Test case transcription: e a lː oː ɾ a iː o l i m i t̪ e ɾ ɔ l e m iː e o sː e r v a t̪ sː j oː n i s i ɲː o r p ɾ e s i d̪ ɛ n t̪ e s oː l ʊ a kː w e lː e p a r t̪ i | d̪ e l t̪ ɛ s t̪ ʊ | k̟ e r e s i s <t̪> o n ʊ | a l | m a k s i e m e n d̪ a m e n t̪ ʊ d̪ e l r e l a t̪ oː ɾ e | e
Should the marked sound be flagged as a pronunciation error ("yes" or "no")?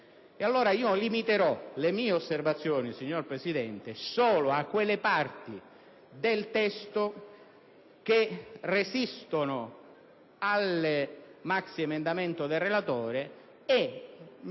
no